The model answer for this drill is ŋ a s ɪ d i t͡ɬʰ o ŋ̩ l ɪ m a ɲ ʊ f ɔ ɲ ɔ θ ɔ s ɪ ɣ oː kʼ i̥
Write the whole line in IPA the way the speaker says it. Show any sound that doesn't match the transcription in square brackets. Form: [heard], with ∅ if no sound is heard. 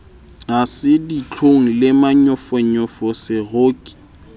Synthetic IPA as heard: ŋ a s ɪ d i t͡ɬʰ o ŋ̩ l ɪ m a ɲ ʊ f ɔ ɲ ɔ [f] ɔ s ɪ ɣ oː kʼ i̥

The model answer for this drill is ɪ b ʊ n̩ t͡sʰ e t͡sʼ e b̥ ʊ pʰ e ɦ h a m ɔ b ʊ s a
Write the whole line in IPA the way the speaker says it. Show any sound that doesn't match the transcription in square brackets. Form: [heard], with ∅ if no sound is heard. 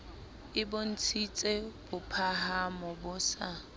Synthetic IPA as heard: ɪ b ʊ n̩ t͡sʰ [i] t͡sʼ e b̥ ʊ pʰ [a] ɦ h a m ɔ b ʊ s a

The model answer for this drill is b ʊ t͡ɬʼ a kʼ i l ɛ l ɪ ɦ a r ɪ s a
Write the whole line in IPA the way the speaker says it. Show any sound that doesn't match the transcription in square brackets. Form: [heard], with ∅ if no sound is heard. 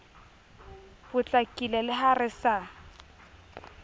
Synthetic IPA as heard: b ʊ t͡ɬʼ a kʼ i l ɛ l ɪ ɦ a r ɪ s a

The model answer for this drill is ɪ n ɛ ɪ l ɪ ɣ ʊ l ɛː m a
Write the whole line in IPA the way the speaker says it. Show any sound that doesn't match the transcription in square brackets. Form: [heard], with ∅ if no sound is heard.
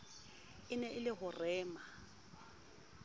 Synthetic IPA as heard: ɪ n ɛ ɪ l ɪ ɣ ʊ [r] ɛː m a

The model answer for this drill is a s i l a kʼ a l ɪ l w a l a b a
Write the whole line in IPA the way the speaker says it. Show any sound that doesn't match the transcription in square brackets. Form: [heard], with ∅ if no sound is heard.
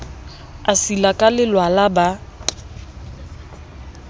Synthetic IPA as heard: a s i l a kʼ a l ɪ l w a l a b a

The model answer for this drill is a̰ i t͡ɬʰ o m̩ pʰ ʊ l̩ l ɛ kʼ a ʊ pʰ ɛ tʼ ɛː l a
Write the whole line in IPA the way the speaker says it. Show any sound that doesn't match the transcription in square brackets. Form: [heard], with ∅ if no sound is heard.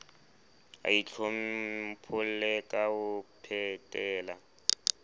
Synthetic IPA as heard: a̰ i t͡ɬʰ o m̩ pʰ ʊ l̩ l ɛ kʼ a ʊ pʰ ɛ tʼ ɛː l a

